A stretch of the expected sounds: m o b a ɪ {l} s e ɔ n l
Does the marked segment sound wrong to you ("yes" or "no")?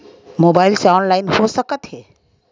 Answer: no